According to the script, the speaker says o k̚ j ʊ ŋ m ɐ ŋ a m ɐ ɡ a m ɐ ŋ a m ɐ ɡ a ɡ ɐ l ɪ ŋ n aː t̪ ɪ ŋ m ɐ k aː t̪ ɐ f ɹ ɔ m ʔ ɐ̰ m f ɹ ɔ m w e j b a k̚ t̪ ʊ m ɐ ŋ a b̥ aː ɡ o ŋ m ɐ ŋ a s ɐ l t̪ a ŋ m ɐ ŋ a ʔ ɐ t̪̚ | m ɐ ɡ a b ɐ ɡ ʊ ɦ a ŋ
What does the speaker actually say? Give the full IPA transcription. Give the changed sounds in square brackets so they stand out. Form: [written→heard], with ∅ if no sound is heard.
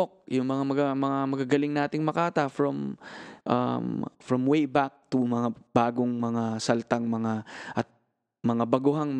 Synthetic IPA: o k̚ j ʊ ŋ m ɐ ŋ a m ɐ ɡ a m ɐ ŋ a m ɐ ɡ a ɡ ɐ l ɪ ŋ n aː t̪ ɪ ŋ m ɐ k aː t̪ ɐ f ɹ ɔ m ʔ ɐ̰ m f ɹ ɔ m w e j b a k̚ t̪ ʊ m ɐ ŋ a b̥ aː ɡ o ŋ m ɐ ŋ a s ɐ l t̪ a ŋ m ɐ ŋ a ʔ ɐ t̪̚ | m ɐ [ɡ→ŋ] a b ɐ ɡ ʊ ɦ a ŋ